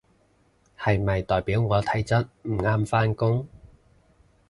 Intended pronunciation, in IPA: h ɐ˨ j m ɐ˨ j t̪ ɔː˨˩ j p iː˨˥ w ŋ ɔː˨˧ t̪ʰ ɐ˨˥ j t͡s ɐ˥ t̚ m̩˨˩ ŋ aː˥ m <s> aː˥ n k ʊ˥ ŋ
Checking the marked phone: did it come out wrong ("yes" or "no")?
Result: yes